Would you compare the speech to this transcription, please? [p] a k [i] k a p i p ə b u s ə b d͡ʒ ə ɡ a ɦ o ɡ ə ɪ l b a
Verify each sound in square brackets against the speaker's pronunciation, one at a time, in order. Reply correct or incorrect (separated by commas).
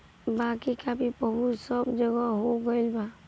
incorrect, correct